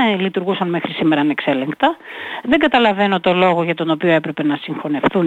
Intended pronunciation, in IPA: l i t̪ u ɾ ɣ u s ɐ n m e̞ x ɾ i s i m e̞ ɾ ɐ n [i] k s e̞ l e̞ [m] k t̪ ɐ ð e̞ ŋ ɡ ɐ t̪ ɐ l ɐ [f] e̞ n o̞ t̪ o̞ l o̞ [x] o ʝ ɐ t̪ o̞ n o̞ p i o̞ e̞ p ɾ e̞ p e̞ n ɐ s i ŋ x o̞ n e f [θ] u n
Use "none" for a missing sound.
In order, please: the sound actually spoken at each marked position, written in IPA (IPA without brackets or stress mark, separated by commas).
e, ŋ, v, ɣ, θ